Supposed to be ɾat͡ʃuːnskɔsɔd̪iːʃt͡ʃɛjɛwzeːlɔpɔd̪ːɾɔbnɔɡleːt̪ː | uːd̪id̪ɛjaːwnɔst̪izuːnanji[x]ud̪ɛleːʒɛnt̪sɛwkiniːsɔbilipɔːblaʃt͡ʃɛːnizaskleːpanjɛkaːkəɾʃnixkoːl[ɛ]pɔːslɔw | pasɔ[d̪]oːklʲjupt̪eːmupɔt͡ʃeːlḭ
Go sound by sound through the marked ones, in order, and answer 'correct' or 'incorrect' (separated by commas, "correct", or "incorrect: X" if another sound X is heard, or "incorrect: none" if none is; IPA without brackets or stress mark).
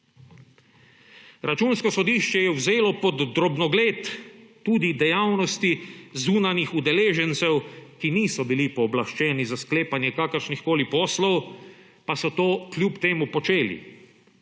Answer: correct, incorrect: i, incorrect: t̪